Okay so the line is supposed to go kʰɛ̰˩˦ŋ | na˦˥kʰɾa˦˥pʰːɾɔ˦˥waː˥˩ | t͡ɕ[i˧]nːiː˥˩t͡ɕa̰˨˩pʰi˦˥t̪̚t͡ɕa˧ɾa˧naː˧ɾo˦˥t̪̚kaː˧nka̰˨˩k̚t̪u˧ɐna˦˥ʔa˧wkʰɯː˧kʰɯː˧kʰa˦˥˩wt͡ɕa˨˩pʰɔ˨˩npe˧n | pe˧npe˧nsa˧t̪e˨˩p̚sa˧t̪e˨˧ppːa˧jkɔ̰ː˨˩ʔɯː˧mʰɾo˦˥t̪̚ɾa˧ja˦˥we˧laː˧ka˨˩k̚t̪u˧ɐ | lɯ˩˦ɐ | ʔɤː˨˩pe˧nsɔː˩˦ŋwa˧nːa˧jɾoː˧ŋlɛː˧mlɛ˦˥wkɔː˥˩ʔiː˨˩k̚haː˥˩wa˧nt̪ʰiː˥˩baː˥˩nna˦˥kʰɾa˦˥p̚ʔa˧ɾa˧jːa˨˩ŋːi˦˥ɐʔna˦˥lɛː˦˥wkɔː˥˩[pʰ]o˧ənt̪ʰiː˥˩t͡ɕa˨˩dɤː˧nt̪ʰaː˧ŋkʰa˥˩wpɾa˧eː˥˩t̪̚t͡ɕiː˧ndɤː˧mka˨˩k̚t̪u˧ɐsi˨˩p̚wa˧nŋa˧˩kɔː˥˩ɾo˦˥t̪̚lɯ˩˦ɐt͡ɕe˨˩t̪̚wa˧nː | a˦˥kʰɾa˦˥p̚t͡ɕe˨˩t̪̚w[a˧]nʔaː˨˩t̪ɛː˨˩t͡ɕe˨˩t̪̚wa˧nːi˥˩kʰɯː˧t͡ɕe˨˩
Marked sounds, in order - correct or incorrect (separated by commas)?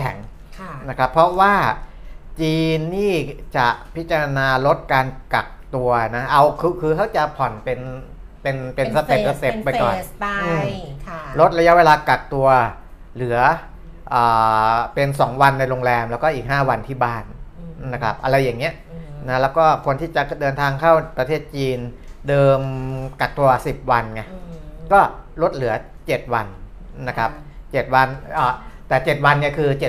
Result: incorrect, incorrect, correct